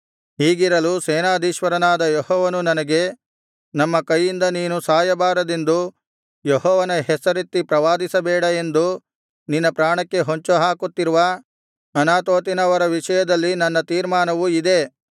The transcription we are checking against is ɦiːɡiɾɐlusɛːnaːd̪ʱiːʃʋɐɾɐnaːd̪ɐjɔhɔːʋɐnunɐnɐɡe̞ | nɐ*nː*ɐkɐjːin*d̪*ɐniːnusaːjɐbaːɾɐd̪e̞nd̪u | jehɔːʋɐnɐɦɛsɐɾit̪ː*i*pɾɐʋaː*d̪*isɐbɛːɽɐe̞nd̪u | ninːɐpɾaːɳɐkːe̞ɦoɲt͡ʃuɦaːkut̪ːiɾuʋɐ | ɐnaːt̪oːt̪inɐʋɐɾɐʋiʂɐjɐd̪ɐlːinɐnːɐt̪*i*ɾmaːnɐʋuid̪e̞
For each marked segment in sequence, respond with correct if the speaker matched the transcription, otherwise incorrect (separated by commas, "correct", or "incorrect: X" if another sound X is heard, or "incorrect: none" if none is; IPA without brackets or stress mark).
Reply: incorrect: mː, correct, correct, correct, incorrect: iː